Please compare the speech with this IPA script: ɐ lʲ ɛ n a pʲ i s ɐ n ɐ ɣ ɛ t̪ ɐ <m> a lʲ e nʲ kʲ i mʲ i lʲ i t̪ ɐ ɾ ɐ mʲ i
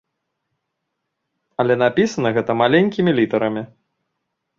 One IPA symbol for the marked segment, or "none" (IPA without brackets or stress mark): m